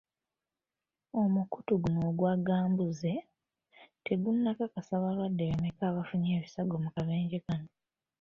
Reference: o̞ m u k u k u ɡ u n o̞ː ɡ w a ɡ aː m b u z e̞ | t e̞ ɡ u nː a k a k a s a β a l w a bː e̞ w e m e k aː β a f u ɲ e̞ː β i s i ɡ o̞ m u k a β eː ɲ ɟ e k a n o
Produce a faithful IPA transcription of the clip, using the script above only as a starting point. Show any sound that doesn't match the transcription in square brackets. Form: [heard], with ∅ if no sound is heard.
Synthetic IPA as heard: o̞ m u k u [t] u ɡ u n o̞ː ɡ w a ɡ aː m b u z e̞ | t e̞ ɡ u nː a k a k a s a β a l w a [dː] e̞ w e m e k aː β a f u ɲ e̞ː β i s [a] ɡ o̞ m u k a β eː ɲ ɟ e k a n o